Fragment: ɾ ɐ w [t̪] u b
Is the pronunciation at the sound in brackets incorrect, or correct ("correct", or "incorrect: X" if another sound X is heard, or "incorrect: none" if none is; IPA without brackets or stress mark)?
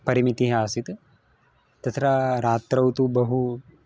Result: correct